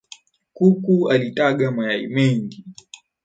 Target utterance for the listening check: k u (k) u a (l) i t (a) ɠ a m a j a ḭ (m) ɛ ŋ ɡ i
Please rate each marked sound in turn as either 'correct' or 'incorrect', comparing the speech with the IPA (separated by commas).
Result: correct, correct, correct, correct